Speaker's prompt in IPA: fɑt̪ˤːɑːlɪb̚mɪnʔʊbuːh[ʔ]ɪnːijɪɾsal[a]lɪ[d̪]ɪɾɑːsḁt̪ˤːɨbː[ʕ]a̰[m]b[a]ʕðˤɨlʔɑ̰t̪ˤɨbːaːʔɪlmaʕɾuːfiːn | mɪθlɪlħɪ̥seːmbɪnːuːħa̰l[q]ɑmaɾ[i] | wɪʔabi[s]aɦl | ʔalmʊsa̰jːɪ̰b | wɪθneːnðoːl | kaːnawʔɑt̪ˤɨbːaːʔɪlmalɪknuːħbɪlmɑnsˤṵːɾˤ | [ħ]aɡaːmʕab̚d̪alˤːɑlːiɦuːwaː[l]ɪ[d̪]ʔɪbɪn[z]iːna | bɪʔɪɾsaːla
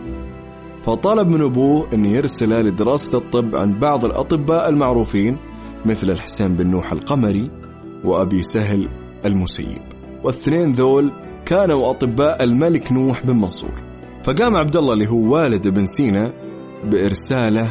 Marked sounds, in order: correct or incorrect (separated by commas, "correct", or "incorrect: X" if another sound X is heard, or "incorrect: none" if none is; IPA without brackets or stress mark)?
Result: correct, correct, correct, correct, incorrect: n, incorrect: ɑ, correct, correct, correct, incorrect: f, correct, correct, incorrect: s